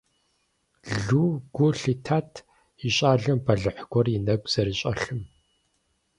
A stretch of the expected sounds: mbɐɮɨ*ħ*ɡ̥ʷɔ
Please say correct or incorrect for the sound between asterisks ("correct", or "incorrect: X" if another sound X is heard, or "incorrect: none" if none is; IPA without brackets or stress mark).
correct